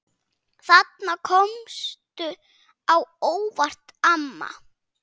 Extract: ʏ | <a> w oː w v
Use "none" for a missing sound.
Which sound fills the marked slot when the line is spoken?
a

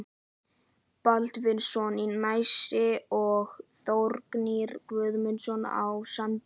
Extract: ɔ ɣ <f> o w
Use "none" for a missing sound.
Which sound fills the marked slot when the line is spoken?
θ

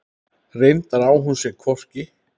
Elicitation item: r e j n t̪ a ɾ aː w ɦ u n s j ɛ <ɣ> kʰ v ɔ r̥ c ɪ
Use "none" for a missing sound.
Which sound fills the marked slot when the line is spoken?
ɣ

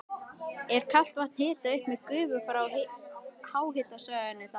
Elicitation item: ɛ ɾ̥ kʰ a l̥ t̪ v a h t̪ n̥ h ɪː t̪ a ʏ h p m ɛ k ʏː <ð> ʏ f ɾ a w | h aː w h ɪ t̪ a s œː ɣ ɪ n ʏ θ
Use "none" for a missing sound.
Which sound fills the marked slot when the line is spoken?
v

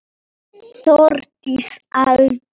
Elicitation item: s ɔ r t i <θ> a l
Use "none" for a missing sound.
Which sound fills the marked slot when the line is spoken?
s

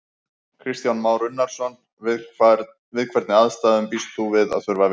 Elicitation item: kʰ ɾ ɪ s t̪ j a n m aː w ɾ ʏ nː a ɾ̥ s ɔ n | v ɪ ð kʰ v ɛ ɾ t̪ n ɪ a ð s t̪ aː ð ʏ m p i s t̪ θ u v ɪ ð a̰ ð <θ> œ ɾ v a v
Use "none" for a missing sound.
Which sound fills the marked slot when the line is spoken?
θ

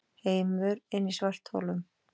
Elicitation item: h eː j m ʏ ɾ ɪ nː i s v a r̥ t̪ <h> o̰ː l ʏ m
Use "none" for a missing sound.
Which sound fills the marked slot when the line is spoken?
h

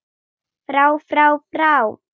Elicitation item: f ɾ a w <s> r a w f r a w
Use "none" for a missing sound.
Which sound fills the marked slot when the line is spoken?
f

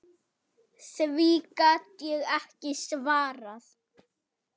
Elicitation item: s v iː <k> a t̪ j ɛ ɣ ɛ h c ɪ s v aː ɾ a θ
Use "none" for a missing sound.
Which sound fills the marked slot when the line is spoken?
k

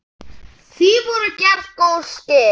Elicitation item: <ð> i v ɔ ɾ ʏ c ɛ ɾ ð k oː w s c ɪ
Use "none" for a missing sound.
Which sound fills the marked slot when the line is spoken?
θ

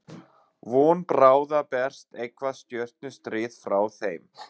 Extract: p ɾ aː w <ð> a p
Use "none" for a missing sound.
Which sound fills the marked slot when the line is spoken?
ð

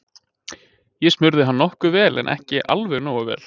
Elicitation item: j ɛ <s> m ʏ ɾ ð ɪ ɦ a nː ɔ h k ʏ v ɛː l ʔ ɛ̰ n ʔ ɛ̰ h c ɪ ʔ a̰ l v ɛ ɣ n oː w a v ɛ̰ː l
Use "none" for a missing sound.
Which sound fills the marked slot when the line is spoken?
s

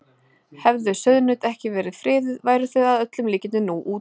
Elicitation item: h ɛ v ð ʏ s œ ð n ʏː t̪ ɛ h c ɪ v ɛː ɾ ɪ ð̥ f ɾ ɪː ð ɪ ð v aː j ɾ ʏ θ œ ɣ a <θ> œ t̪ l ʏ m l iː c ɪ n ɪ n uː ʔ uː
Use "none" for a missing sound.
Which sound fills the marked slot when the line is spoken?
ð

